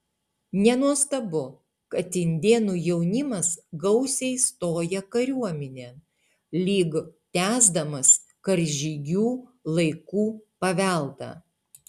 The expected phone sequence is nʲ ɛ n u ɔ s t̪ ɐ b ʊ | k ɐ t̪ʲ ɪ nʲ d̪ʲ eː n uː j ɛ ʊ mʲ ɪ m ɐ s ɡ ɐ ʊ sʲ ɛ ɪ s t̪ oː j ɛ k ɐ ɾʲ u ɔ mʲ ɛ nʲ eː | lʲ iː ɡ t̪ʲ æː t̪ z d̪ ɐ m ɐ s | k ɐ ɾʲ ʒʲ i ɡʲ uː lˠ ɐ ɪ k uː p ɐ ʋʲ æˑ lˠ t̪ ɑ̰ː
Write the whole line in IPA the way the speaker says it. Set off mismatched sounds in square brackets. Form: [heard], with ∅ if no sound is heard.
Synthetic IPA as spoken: nʲ ɛ n u ɔ s t̪ ɐ b ʊ | k ɐ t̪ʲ ɪ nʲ d̪ʲ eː n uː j ɛ ʊ [nʲ] ɪ m ɐ s ɡ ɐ ʊ sʲ ɛ ɪ s t̪ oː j ɛ k ɐ ɾʲ u ɔ mʲ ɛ nʲ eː | lʲ iː ɡ t̪ʲ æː [∅] z d̪ ɐ m ɐ s | k ɐ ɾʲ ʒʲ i ɡʲ uː lˠ ɐ ɪ k uː p ɐ ʋʲ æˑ lˠ t̪ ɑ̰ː